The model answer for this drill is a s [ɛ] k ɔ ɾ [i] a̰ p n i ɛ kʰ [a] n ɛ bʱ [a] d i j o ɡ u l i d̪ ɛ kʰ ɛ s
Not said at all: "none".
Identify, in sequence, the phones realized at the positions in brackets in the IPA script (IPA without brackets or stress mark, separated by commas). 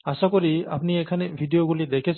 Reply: a, i, a, i